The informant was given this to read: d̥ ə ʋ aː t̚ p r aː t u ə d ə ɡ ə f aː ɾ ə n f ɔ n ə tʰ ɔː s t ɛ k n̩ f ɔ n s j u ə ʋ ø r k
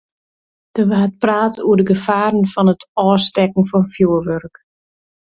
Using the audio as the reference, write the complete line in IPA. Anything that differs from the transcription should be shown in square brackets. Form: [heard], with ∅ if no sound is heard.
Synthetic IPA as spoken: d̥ ə ʋ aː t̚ p r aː t u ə d ə ɡ ə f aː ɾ ə n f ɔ n ə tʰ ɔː s t ɛ k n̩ f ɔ n [f] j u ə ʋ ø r k